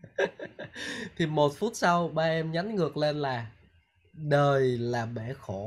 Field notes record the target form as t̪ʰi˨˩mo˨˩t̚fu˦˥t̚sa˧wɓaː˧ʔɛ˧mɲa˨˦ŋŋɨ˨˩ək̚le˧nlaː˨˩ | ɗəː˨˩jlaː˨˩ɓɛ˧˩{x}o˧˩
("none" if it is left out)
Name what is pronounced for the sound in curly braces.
x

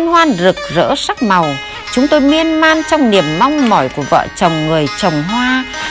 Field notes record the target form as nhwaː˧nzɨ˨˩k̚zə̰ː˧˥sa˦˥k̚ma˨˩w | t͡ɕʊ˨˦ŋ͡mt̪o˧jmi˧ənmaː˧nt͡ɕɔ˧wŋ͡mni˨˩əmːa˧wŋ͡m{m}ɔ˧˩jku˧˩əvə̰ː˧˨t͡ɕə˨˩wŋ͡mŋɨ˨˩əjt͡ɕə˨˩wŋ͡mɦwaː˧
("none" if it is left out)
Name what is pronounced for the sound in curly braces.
m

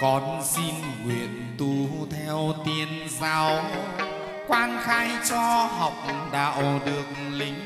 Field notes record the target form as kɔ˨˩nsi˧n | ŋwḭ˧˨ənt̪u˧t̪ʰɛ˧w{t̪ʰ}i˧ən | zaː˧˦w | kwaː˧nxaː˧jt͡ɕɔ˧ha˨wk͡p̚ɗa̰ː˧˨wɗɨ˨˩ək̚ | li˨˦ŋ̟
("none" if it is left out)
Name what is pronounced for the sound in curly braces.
t̪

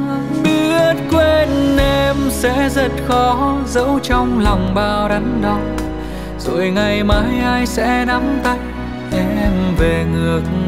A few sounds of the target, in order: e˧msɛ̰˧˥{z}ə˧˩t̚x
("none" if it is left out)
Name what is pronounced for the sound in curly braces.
z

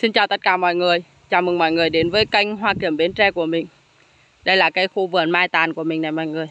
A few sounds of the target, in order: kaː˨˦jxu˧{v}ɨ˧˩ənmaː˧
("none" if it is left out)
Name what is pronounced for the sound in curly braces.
v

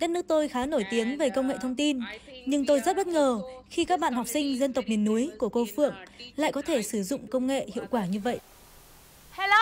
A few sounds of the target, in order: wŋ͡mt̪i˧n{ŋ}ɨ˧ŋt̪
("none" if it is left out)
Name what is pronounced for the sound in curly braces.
ɲ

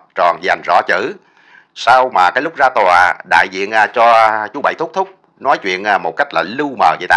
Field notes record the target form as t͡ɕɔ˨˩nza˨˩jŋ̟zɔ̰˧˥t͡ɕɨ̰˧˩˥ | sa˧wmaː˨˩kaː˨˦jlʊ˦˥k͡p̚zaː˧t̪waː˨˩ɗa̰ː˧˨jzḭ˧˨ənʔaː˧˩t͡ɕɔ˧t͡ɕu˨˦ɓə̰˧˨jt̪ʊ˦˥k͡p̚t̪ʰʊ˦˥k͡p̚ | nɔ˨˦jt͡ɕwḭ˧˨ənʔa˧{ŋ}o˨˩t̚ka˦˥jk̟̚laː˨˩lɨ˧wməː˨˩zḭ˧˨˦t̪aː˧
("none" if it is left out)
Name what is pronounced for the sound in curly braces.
m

